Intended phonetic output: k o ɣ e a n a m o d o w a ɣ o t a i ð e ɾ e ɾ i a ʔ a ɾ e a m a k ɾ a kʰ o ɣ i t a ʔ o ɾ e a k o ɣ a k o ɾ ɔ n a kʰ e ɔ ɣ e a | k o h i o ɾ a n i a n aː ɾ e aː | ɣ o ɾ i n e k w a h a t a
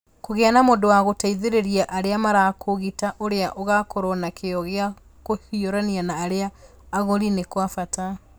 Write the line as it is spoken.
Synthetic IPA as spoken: k o ɣ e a n a m o d o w a ɣ o t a i ð e ɾ e ɾ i a ʔ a ɾ e a m a ɾ a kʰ o ɣ i t a ʔ o ɾ e a ʔ o ɣ a k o ɾ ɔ n a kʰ e ɔ ɣ e a | k o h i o ɾ a n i a n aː ɾ e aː | ɣ o ɾ i n e k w a f a t a